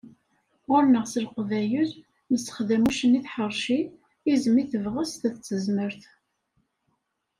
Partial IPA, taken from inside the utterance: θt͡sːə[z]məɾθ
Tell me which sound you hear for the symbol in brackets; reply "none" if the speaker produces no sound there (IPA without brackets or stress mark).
z